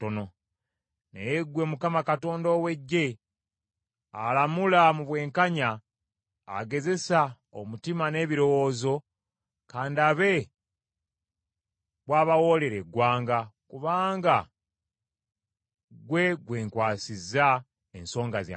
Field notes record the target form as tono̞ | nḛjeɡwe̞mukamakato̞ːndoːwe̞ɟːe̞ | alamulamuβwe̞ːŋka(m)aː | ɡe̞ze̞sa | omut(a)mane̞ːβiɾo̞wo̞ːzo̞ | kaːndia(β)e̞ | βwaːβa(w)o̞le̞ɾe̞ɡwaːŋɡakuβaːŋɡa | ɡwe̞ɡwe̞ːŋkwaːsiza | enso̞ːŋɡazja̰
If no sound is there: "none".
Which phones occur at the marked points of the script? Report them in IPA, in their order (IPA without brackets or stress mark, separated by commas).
ɲ, i, β, w